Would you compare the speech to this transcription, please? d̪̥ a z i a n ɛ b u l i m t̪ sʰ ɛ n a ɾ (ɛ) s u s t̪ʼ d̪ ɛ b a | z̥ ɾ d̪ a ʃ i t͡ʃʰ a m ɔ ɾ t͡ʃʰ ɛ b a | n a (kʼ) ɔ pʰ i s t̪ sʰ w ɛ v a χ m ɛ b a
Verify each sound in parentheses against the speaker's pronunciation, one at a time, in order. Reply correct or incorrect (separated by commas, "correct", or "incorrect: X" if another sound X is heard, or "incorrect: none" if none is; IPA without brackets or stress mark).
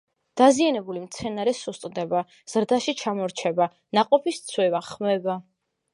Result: correct, incorrect: qʼ